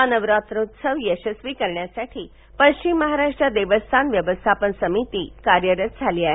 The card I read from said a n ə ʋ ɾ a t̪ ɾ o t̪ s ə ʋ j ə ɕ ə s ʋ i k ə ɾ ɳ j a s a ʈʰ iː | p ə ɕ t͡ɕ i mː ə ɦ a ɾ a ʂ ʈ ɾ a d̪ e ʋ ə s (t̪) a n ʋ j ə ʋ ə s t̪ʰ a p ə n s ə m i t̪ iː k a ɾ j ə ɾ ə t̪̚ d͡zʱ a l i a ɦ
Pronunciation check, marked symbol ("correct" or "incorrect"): incorrect